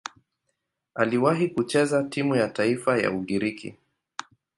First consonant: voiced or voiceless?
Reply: voiced